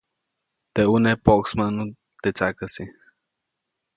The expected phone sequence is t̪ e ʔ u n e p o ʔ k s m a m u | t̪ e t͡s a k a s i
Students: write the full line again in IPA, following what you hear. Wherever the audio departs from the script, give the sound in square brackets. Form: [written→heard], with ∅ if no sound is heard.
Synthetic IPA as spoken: t̪ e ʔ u n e p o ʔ k s m a [m→n] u | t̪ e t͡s a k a s i